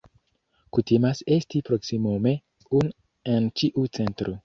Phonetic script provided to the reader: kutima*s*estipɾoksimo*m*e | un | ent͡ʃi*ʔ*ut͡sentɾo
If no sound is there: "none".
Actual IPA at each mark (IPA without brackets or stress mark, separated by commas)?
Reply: s, m, ʔ